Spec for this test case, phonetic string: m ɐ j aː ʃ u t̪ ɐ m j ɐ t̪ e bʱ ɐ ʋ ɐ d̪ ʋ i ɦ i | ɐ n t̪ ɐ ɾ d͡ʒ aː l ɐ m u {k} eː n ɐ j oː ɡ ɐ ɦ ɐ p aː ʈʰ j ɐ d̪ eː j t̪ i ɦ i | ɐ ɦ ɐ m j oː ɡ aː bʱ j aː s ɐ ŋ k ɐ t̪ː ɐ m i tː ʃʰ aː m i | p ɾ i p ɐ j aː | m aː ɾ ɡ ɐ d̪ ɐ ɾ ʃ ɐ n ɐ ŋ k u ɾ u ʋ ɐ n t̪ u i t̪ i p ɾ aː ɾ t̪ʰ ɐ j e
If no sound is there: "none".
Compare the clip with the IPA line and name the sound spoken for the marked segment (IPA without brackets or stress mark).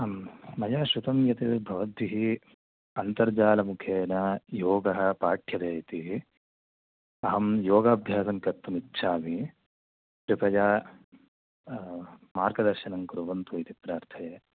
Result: kʰ